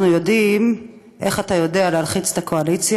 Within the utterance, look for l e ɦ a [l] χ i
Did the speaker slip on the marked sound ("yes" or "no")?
no